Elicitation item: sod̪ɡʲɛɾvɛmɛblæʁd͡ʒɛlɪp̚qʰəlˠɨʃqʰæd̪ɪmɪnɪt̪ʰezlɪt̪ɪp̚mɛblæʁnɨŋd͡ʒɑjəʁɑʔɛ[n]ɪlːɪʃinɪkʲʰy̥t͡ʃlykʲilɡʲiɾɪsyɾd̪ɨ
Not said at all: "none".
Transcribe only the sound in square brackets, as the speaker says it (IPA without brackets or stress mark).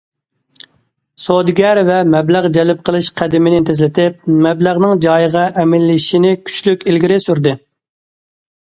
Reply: m